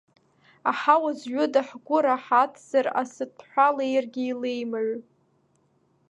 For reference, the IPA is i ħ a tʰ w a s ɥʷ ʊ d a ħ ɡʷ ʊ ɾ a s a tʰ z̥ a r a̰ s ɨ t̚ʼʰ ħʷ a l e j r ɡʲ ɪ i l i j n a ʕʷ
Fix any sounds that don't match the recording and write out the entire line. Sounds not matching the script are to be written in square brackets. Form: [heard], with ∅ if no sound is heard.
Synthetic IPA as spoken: [a] ħ a [∅] w a [z] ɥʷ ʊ d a ħ ɡʷ ʊ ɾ a [ħ] a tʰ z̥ a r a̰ s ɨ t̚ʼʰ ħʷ a l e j r ɡʲ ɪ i l [e] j [m] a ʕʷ